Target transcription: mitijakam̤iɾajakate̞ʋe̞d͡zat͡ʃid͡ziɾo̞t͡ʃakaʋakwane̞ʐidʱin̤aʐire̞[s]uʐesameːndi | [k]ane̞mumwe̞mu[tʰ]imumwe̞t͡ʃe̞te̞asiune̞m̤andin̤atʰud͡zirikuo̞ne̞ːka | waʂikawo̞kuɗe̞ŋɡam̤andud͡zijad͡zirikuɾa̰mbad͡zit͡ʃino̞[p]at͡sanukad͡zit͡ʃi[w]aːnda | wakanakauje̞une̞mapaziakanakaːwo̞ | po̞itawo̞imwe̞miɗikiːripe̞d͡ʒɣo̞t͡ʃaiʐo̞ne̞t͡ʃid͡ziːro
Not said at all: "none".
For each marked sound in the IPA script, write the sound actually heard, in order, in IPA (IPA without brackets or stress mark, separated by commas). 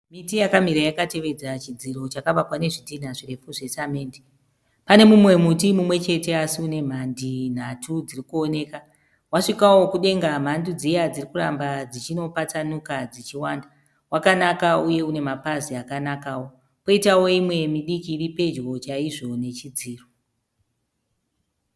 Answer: f, p, t, p, w